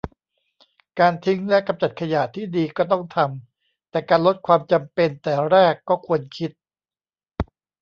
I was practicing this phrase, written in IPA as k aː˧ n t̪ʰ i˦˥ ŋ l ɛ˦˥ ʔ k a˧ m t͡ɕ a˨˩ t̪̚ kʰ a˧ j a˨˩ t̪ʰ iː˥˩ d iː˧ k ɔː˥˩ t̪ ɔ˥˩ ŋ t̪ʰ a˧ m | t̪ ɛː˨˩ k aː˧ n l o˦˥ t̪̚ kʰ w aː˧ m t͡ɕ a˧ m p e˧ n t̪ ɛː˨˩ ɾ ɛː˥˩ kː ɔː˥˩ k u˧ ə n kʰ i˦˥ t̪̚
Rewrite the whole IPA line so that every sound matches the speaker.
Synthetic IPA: k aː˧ n t̪ʰ i˦˥ ŋ l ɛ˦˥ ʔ k a˧ m t͡ɕ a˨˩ t̪̚ kʰ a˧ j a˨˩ t̪ʰ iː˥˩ d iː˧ k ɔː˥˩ t̪ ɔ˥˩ ŋ t̪ʰ a˧ m | t̪ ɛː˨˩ k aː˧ n l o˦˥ t̪̚ kʰ w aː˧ m t͡ɕ a˧ m p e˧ n t̪ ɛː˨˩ ɾ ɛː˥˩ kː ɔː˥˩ kʰ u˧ ə n kʰ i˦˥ t̪̚